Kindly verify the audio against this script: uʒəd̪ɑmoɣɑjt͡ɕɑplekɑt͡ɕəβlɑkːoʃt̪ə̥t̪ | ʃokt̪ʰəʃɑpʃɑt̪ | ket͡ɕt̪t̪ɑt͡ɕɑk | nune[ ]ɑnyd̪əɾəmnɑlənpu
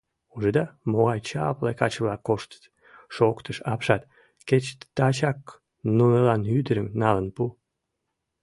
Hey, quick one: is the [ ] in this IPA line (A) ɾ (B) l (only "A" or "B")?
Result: B